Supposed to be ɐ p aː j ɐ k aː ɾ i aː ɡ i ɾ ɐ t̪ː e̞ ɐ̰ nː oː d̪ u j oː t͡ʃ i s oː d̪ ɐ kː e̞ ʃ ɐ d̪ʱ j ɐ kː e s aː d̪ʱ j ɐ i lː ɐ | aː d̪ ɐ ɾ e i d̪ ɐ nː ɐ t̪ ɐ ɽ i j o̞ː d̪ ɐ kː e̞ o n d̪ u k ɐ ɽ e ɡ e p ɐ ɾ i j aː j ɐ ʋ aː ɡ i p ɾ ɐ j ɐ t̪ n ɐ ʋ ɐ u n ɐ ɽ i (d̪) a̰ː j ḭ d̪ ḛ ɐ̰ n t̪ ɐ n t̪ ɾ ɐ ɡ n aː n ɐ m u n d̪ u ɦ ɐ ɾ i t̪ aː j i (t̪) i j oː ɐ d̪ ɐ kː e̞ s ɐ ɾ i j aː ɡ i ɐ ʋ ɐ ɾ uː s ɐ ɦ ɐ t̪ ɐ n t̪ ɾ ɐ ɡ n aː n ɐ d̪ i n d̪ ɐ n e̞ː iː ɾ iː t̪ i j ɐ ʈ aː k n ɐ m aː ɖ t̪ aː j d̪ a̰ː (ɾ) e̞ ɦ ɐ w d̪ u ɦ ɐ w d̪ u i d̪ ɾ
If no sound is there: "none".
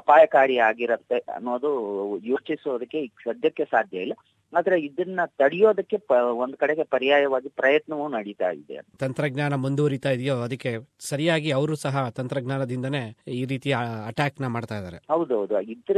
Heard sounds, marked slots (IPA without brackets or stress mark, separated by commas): t̪, d̪, ɾ